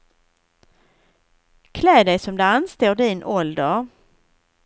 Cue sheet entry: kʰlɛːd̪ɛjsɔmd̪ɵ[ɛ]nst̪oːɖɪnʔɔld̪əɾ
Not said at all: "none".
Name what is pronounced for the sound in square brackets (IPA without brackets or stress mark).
a